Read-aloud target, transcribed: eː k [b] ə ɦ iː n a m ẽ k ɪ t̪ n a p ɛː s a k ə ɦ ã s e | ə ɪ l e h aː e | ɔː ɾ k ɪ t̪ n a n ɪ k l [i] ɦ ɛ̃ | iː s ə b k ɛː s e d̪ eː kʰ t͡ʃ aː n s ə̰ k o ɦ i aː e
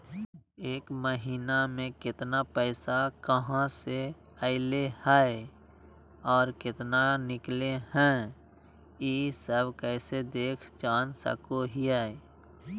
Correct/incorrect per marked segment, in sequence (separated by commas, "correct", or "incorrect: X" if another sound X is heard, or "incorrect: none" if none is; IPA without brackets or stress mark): incorrect: m, incorrect: e